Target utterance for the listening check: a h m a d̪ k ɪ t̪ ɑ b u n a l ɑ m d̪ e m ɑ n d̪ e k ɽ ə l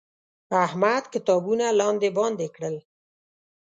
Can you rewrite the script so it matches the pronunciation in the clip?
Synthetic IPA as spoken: a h m a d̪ k ɪ t̪ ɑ b u n a l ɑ n d̪ e b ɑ n d̪ e k ɽ ə l